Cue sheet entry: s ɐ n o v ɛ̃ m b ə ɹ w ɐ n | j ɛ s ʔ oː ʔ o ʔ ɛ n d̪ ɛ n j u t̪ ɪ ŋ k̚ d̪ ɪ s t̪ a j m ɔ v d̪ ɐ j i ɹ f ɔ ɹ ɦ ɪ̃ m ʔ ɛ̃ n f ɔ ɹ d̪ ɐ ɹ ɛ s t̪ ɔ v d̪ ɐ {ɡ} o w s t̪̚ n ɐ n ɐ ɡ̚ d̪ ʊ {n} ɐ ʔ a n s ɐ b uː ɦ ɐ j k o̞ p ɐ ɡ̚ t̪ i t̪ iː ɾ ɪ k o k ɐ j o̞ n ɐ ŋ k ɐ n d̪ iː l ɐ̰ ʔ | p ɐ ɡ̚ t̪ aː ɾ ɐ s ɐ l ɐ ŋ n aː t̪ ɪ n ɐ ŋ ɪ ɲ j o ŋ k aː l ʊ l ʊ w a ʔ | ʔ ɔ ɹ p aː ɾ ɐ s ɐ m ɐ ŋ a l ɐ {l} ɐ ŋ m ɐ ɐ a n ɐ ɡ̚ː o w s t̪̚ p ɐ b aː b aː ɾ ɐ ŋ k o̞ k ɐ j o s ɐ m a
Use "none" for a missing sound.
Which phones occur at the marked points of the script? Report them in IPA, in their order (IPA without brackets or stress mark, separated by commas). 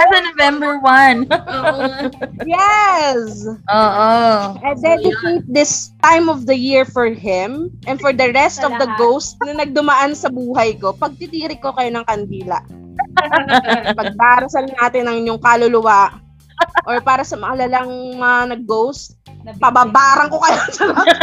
ɡ, m, l